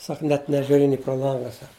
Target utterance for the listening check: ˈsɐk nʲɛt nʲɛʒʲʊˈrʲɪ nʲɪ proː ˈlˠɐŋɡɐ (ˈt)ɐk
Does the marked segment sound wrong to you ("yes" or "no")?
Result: yes